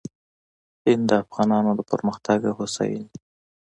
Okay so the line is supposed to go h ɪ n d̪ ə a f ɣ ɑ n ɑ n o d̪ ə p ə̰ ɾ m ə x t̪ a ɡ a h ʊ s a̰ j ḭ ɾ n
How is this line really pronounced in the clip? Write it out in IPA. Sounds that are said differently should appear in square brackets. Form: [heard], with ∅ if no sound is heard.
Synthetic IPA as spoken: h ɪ n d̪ ə a f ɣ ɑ n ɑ n o d̪ ə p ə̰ ɾ m ə x t̪ a ɡ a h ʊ s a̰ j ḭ [∅] n